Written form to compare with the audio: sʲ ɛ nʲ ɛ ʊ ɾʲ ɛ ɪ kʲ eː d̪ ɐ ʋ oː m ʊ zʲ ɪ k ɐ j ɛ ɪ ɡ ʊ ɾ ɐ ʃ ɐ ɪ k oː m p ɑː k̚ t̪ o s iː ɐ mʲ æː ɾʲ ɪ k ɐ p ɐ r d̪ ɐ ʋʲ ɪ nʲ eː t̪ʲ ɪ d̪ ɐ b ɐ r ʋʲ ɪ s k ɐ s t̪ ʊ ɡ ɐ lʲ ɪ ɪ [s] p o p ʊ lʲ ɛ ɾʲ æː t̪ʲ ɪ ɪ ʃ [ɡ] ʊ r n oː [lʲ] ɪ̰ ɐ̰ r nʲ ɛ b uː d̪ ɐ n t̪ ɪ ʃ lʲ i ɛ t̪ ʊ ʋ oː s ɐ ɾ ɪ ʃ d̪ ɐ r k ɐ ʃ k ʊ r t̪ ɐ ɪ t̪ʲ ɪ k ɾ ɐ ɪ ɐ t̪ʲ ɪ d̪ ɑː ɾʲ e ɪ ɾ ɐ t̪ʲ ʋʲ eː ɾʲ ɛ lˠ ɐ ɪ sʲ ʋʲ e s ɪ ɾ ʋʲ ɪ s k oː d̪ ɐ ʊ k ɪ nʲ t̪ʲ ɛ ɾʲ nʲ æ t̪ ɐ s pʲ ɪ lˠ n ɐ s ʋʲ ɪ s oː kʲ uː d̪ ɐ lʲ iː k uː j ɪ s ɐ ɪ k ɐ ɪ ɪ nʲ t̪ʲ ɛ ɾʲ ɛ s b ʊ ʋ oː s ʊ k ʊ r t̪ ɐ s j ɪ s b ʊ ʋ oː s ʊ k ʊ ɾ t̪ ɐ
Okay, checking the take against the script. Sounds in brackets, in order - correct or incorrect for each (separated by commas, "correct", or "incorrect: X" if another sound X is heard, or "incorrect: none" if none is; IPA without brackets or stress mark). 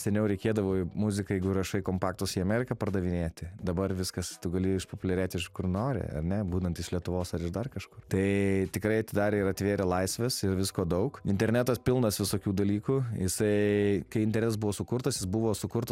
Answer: incorrect: ʃ, incorrect: k, incorrect: ɾʲ